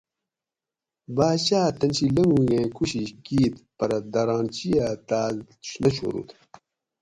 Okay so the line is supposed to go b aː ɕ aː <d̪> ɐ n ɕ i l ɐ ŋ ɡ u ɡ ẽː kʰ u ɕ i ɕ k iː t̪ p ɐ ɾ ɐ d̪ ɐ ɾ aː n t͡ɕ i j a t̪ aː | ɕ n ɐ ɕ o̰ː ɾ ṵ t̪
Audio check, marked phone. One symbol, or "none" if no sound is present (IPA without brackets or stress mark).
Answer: t̪